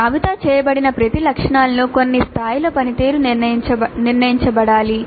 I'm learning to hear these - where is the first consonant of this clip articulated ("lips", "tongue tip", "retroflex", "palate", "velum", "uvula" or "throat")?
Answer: lips